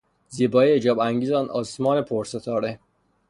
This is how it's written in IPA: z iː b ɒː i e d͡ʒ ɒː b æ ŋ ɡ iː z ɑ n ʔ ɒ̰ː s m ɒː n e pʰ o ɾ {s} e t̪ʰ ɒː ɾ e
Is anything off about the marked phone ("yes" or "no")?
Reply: no